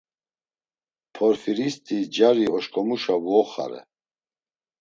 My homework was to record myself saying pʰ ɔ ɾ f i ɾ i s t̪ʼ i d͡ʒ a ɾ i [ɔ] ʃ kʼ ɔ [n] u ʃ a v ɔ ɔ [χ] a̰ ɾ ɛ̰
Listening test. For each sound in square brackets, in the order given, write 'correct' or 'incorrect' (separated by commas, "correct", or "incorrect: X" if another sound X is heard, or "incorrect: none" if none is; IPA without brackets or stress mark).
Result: correct, incorrect: m, correct